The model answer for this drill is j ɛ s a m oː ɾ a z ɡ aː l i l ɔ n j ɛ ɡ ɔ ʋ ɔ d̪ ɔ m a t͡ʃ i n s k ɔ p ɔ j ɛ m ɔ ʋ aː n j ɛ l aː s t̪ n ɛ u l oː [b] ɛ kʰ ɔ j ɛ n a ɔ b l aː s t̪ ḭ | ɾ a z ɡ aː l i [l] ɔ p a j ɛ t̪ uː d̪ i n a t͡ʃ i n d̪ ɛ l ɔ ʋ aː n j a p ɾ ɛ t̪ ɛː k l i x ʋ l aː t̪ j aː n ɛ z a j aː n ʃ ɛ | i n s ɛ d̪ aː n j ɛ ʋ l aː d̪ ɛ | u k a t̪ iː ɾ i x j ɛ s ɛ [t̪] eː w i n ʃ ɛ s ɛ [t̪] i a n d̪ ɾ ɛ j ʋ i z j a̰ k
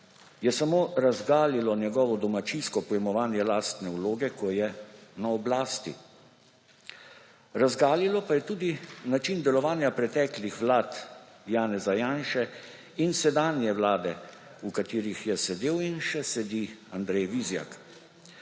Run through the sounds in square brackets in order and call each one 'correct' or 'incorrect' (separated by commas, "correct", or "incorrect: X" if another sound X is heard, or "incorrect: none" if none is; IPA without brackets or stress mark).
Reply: incorrect: ɡ, correct, incorrect: d̪, incorrect: d̪